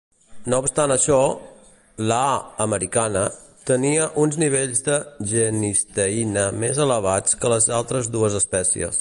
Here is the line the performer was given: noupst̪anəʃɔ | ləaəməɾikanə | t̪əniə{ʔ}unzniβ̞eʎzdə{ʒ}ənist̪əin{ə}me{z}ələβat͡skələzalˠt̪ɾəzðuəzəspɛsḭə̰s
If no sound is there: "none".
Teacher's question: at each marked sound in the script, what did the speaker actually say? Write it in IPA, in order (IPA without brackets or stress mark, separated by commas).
ʔ, ʒ, ə, z